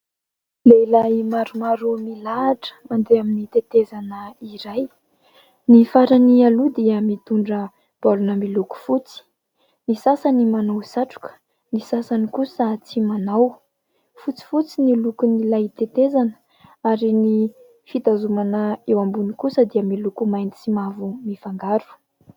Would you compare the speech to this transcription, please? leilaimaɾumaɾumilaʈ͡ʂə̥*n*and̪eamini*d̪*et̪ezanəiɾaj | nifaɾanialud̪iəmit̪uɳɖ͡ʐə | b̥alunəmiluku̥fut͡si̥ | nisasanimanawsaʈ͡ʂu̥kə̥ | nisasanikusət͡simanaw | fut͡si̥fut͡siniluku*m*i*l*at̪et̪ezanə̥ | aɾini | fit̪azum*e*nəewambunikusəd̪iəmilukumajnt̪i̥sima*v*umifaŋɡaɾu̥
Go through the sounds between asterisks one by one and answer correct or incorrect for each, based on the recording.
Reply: incorrect: m, incorrect: t̪, incorrect: n, correct, incorrect: a, correct

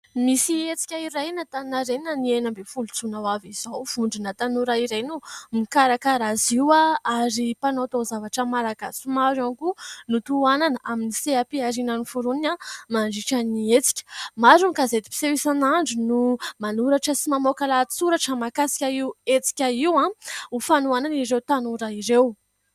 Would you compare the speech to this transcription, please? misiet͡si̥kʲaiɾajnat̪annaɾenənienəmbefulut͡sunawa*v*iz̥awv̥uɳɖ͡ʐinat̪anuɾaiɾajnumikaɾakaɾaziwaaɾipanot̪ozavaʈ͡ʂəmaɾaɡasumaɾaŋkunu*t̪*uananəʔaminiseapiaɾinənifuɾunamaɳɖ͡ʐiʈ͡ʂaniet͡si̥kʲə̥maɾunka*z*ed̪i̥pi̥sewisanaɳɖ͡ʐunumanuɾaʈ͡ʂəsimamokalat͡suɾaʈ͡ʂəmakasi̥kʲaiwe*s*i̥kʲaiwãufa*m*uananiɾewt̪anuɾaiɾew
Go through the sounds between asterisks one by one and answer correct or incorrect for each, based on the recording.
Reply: correct, correct, correct, incorrect: t͡s, incorrect: n

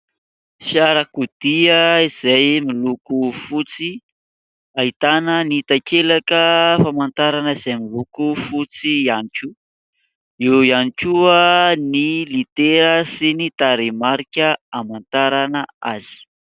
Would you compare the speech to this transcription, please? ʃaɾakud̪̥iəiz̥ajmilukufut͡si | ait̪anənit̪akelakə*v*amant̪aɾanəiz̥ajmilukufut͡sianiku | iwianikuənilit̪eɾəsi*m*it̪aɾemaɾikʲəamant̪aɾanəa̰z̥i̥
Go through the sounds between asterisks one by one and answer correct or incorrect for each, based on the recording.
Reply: incorrect: f, incorrect: n

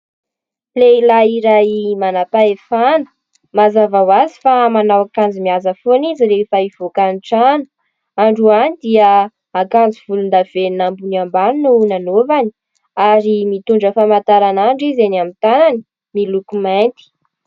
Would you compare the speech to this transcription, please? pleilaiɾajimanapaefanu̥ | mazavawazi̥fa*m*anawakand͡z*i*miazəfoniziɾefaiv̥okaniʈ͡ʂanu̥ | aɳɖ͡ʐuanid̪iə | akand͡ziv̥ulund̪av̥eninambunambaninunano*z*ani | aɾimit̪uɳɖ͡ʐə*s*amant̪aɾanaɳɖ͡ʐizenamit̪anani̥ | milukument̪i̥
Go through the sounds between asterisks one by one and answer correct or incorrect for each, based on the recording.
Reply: correct, correct, incorrect: v, incorrect: f

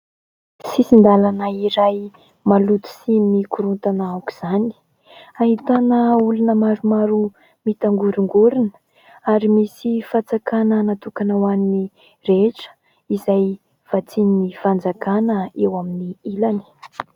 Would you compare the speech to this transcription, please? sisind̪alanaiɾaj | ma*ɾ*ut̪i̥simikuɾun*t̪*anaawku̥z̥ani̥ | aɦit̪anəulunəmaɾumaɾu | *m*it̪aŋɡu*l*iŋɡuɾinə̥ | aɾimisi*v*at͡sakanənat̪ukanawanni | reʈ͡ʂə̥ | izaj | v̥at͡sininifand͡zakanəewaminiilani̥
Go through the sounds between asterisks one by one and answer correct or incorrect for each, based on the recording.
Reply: incorrect: l, correct, correct, incorrect: ɾ, incorrect: f

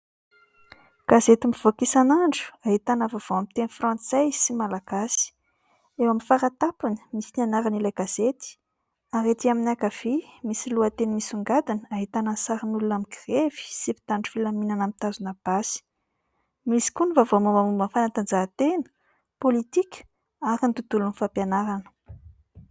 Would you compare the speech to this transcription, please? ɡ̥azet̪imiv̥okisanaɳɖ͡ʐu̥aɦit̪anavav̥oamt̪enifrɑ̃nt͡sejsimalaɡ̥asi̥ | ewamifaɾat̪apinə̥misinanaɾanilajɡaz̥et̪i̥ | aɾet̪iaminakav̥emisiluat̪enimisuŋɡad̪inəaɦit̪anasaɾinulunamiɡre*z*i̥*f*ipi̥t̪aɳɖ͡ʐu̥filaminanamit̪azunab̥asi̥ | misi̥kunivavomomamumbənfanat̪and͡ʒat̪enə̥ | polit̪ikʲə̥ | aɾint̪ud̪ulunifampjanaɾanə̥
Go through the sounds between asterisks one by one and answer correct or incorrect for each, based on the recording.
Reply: incorrect: v, incorrect: s

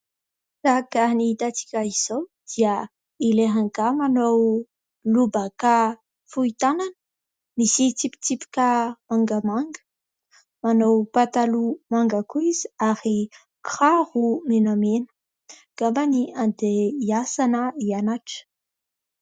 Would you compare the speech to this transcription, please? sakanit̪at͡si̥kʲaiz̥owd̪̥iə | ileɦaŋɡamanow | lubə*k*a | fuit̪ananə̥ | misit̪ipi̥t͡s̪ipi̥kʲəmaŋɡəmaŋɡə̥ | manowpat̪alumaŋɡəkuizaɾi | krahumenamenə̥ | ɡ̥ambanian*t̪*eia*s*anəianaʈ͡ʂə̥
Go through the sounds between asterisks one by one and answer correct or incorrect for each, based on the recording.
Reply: correct, incorrect: d̪, correct

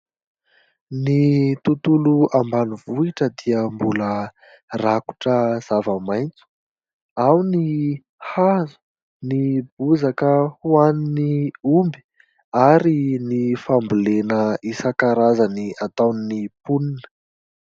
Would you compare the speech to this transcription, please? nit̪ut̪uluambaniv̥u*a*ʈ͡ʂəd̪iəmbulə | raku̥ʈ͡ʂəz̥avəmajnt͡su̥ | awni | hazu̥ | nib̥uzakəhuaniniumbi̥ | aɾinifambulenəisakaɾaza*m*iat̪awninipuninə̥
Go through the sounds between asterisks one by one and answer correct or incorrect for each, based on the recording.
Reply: incorrect: i, incorrect: n

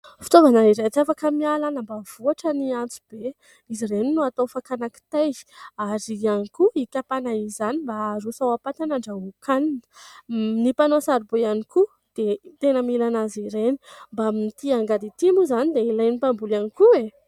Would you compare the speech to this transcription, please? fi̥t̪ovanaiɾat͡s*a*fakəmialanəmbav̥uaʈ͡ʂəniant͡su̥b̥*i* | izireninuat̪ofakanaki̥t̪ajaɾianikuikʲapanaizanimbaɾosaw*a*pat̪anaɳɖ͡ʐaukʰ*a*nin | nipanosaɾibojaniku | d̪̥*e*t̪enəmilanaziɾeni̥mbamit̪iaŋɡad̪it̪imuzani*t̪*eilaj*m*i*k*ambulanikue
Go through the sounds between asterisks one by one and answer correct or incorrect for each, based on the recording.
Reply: correct, incorrect: e, correct, correct, correct, incorrect: d̪, incorrect: n, incorrect: p

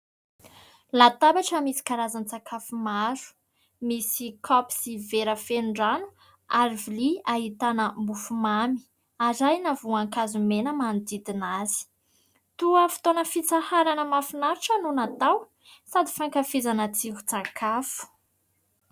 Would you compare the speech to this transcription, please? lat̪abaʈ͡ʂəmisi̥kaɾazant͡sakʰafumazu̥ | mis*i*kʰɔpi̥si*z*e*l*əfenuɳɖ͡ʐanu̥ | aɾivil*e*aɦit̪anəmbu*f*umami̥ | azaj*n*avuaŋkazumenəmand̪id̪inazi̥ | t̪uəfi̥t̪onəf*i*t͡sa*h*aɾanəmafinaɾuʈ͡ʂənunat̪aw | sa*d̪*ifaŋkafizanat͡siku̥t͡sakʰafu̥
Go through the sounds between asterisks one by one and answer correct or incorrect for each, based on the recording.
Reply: correct, incorrect: v, incorrect: ɾ, incorrect: i, correct, correct, correct, correct, correct

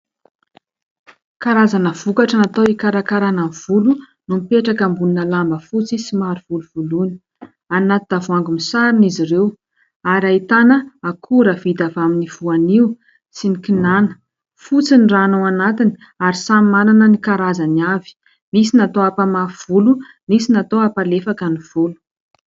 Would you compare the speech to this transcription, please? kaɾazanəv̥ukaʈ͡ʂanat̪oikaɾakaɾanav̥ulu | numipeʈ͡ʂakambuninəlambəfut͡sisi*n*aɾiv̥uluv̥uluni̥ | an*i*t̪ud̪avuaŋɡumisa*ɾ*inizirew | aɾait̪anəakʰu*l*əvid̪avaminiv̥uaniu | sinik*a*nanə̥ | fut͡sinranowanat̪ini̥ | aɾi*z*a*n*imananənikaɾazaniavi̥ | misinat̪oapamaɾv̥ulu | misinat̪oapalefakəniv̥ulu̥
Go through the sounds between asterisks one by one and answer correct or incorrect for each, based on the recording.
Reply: incorrect: m, incorrect: a, correct, incorrect: ɾ, incorrect: i, incorrect: s, incorrect: m

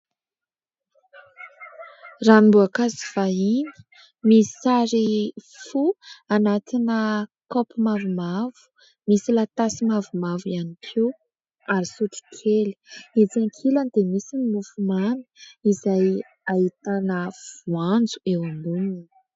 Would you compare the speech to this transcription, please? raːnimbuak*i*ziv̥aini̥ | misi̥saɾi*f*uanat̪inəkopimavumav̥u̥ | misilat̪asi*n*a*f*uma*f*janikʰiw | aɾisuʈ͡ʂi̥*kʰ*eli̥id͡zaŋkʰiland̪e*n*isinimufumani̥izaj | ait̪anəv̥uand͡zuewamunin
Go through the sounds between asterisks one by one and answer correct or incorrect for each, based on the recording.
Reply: incorrect: a, correct, incorrect: m, incorrect: v, incorrect: v, correct, incorrect: m

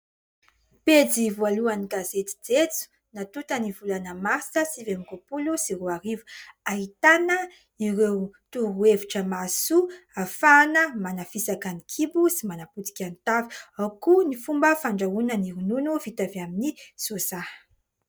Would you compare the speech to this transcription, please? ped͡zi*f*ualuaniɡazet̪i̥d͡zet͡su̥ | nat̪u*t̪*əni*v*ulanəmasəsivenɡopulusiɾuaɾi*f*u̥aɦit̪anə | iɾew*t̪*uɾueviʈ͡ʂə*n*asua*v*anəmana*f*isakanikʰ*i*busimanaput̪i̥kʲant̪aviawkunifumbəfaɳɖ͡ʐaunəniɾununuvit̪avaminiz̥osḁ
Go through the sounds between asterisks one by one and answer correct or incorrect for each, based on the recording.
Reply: incorrect: v, correct, correct, incorrect: v, correct, incorrect: m, incorrect: f, correct, correct

